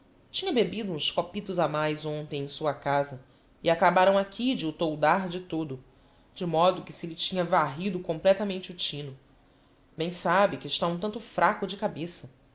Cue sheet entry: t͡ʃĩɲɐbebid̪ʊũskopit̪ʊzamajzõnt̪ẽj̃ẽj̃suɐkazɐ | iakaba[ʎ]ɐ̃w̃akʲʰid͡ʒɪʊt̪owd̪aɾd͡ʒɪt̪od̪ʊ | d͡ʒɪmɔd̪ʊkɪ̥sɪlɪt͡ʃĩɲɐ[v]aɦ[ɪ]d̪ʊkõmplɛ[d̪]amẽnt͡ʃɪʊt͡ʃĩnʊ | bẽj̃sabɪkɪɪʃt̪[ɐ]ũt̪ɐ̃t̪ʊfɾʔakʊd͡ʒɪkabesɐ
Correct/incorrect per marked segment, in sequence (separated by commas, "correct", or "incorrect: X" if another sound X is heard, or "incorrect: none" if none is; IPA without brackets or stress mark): incorrect: ɾ, correct, incorrect: i, incorrect: t̪, incorrect: a